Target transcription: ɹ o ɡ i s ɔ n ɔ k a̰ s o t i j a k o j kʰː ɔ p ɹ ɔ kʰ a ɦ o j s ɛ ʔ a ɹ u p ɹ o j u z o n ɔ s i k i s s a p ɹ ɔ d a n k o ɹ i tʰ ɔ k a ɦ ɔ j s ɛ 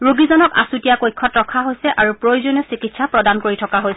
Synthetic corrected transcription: ɹ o ɡ i z ɔ n ɔ k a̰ s u t i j a k o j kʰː ɔ t ɹ ɔ kʰ a ɦ o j s ɛ ʔ a ɹ u p ɹ o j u z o n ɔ s i k i t s a p ɹ ɔ d a n k o ɹ i tʰ ɔ k a ɦ o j s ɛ